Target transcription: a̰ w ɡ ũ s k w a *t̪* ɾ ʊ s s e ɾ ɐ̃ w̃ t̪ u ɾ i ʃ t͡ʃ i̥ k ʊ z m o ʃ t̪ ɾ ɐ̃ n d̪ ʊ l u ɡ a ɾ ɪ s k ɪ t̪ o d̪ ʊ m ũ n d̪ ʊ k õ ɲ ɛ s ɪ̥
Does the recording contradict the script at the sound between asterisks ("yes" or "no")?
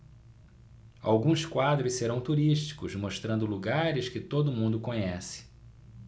yes